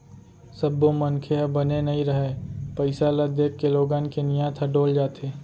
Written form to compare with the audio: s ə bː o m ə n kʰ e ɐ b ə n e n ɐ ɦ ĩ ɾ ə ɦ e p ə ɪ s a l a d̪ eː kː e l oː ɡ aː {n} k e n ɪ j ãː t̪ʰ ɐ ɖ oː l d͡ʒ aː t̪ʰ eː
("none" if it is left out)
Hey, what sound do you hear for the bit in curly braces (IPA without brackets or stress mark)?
n